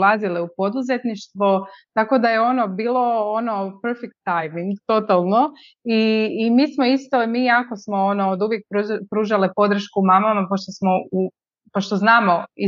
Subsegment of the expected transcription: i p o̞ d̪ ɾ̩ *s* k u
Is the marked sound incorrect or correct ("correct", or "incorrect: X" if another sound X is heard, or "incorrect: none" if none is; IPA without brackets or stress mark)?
incorrect: ʃ